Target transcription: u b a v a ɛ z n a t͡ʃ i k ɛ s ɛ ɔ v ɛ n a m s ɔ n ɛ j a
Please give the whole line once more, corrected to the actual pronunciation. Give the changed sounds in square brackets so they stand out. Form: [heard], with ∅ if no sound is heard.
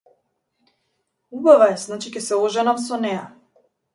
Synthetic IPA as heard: u b a v a ɛ z n a t͡ʃ i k ɛ s ɛ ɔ [ʒ] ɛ n a m s ɔ n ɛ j a